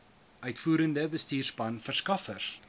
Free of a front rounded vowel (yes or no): no